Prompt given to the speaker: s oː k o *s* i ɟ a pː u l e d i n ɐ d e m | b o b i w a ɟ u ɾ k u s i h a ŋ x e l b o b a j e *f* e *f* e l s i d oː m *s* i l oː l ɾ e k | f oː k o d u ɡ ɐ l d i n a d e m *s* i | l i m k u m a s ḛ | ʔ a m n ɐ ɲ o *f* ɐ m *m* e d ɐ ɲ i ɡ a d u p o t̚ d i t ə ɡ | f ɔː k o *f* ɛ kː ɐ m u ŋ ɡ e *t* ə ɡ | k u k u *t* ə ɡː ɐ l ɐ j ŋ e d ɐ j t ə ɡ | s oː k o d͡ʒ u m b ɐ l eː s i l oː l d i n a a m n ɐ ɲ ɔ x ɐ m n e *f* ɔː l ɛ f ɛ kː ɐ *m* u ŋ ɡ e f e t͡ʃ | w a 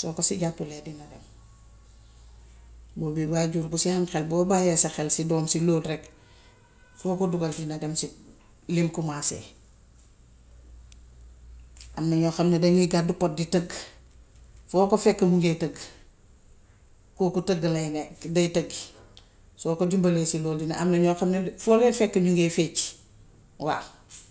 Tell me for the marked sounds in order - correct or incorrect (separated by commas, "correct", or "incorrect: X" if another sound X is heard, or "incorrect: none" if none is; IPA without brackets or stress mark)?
correct, incorrect: s, incorrect: x, correct, correct, incorrect: x, incorrect: n, correct, correct, correct, correct, incorrect: ɲ